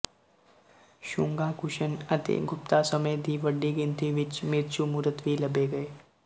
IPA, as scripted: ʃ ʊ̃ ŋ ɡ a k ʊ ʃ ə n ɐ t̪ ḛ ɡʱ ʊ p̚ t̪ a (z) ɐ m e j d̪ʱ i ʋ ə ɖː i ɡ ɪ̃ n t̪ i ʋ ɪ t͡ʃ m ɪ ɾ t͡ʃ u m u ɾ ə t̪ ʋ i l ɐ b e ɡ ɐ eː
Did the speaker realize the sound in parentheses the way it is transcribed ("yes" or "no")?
no